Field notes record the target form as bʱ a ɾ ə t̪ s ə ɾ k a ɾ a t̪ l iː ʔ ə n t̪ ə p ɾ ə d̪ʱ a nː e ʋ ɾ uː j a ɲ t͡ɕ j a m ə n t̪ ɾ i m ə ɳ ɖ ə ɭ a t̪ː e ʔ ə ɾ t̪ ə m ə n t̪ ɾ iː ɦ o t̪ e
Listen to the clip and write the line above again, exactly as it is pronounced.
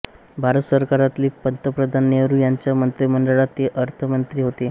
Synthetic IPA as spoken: bʱ a ɾ ə t̪ s ə ɾ k a ɾ a t̪ l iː p ə n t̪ ə p ɾ ə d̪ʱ a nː e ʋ ɾ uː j a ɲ t͡ɕ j a m ə n t̪ ɾ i m ə ɳ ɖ ə ɭ a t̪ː e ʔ ə ɾ t̪ʰ ə m ə n t̪ ɾ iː ɦ o t̪ e